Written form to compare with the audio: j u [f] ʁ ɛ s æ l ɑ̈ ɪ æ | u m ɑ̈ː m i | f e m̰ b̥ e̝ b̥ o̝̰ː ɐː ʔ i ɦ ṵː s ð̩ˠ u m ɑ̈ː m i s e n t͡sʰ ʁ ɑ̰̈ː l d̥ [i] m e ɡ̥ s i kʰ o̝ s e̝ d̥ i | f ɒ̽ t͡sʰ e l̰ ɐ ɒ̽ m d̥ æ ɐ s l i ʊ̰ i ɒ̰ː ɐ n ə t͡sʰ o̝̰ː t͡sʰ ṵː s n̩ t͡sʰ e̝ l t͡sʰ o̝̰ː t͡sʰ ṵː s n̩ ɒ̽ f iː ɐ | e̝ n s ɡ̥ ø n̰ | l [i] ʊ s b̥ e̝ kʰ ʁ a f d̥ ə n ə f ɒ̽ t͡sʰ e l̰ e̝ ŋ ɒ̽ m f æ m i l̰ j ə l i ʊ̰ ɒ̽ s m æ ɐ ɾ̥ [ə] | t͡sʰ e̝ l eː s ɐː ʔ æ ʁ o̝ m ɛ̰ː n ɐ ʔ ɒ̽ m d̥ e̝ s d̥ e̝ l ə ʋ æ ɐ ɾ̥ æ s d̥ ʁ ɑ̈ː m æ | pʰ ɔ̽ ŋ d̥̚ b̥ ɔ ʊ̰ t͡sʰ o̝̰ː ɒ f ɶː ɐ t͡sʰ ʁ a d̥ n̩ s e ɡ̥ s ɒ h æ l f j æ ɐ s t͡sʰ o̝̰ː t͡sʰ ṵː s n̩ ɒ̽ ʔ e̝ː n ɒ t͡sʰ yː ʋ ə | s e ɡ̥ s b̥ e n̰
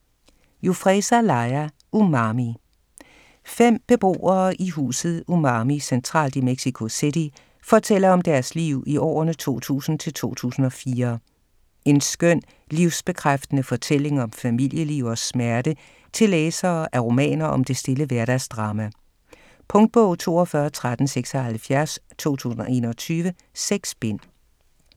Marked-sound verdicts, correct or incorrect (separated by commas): correct, correct, correct, correct